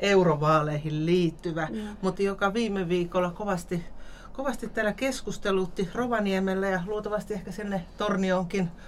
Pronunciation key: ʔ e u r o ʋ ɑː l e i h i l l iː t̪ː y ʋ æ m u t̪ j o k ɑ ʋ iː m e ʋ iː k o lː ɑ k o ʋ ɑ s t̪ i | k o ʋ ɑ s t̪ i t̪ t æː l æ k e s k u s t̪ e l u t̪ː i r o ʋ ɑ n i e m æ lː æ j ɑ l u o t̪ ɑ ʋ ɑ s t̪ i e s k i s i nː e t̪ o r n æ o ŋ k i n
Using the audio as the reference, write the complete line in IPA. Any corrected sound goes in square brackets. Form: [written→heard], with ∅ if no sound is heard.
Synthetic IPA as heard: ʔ e u r o ʋ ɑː l e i h i l l iː t̪ː y ʋ æ m u t̪ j o k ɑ ʋ iː m e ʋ iː k o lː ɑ k o ʋ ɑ s t̪ i | k o ʋ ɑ s t̪ i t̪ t æː l æ k e s k u s t̪ e l u t̪ː i r o ʋ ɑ n i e m [æ→e] lː æ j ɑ l u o t̪ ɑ ʋ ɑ s t̪ i e [s→h] k [i→æ] s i nː e t̪ o r n [æ→i] o ŋ k i n